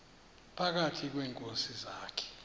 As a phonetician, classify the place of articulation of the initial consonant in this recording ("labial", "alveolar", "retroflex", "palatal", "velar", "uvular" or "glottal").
labial